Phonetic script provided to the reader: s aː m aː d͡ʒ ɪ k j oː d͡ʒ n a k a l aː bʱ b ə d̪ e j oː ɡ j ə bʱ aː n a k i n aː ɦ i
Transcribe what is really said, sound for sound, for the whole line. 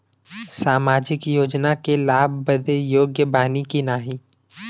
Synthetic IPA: s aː m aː d͡ʒ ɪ k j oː d͡ʒ n a k e l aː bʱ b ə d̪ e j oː ɡ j ə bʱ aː n i k i n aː ɦ i